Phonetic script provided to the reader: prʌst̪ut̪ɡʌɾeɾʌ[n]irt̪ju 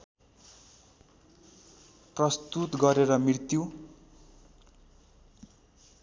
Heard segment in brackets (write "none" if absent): m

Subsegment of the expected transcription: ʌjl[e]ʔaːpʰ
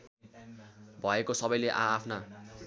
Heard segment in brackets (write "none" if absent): e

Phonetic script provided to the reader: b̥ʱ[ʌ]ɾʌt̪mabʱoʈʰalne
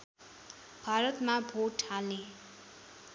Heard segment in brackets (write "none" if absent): a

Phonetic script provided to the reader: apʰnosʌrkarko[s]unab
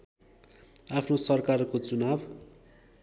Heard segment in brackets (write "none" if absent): t͡s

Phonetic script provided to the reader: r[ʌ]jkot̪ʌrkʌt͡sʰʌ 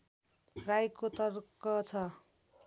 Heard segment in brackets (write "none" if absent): a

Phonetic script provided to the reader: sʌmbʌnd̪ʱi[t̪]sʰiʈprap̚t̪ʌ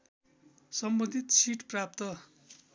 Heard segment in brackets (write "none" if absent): t̪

